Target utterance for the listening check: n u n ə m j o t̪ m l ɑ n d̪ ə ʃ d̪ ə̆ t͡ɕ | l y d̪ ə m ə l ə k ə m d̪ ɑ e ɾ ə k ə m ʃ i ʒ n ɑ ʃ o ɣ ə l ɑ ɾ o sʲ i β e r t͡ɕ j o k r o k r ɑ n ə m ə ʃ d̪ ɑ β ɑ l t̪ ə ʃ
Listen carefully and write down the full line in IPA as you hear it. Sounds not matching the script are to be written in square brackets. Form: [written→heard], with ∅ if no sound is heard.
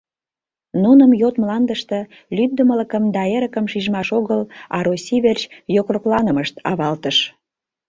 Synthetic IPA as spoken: n u n ə m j o t̪ m l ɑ n d̪ ə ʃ [d̪→t̪] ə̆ [t͡ɕ→∅] | l y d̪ ə m ə l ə k ə m d̪ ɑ e ɾ ə k ə m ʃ i ʒ [n→m] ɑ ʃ o ɣ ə l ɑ ɾ o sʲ i β e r t͡ɕ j o k r o k [r→l] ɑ n ə m ə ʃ [d̪→t̪] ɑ β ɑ l t̪ ə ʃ